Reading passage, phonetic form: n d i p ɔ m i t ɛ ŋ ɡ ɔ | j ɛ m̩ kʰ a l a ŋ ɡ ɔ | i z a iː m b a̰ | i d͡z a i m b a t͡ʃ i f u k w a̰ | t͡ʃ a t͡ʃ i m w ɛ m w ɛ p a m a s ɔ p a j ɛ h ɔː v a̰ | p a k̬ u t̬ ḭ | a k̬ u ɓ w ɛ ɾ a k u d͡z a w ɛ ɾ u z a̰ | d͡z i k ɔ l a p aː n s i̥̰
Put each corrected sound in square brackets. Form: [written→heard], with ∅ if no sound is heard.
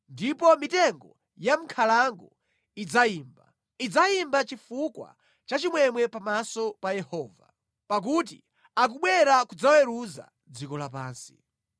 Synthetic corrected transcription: n d i p ɔ m i t ɛ ŋ ɡ ɔ | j [ɛ→a] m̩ kʰ a l a ŋ ɡ ɔ | i [z→d͡z] a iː m b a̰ | i d͡z a i m b a t͡ʃ i f u k w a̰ | t͡ʃ a t͡ʃ i m w ɛ m w ɛ p a m a s ɔ p a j ɛ h ɔː v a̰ | p a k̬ u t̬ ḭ | a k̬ u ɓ w ɛ ɾ a k u d͡z a w ɛ ɾ u z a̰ | d͡z i k ɔ l a p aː n s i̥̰